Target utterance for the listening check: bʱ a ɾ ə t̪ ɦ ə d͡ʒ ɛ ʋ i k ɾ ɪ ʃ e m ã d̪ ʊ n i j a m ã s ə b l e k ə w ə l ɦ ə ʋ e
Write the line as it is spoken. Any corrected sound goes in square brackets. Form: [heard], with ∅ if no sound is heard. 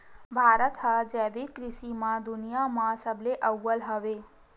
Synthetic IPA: bʱ a ɾ ə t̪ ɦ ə d͡ʒ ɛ ʋ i k ɾ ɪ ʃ [i] m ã d̪ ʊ n i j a m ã s ə b l e [ʔ] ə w ə l ɦ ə ʋ e